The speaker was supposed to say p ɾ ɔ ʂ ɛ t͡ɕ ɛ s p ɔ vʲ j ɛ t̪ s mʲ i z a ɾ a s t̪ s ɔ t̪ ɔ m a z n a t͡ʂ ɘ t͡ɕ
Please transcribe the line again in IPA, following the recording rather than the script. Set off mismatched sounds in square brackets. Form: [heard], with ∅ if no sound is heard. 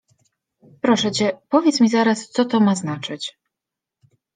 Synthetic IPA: p ɾ ɔ ʂ ɛ t͡ɕ ɛ [∅] p ɔ vʲ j ɛ t̪ s mʲ i z a ɾ a s t̪ s ɔ t̪ ɔ m a z n a t͡ʂ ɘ t͡ɕ